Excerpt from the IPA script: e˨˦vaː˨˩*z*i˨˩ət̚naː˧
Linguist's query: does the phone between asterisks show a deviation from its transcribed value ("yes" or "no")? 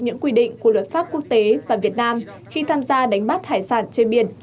yes